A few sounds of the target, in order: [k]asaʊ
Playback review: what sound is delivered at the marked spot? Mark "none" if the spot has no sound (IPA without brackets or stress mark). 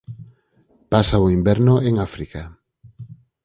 p